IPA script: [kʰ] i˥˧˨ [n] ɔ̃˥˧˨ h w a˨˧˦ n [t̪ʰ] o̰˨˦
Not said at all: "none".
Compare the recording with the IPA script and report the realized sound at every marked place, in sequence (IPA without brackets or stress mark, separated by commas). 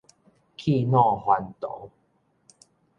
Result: kʰ, n, t̪